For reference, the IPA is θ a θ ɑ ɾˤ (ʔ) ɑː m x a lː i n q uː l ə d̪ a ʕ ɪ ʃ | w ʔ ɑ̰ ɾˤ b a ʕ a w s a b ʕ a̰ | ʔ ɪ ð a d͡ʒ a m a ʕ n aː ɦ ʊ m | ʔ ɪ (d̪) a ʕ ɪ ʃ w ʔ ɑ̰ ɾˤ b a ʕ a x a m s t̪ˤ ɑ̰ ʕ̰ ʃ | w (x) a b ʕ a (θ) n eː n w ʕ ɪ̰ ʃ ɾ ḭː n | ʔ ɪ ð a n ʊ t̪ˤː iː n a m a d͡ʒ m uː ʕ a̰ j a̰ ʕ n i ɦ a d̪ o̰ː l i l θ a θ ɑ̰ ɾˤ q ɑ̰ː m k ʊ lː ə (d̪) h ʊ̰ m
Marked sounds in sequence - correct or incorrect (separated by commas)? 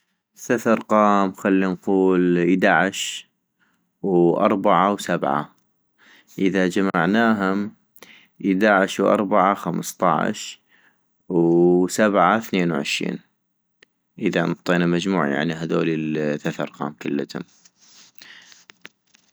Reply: incorrect, correct, incorrect, correct, incorrect